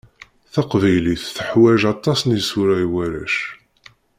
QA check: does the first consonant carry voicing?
no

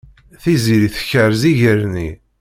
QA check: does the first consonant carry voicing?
no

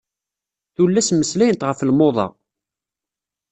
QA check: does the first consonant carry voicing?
no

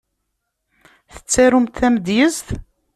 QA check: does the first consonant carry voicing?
no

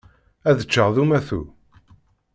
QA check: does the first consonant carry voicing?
yes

